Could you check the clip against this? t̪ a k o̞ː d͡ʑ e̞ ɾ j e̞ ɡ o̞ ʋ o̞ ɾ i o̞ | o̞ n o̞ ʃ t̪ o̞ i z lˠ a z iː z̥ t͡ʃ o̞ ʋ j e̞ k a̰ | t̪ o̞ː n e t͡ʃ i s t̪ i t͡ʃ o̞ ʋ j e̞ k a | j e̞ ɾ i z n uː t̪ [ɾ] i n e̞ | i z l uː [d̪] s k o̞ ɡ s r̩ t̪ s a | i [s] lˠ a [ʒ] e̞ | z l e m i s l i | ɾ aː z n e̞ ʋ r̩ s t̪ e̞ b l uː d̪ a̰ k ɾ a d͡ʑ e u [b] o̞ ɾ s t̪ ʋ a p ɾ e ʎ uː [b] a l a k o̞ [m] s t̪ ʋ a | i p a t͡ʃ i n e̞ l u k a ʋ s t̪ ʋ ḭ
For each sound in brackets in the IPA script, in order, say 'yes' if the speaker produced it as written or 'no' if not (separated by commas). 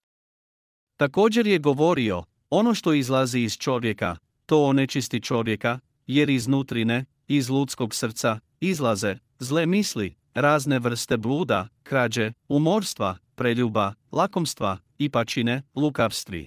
yes, no, no, no, no, yes, yes